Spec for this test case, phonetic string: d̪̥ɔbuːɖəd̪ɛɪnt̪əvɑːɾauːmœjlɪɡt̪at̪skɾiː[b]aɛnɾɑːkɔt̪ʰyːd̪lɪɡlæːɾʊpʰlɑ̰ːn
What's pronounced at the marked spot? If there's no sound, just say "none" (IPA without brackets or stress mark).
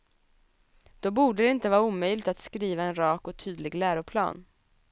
v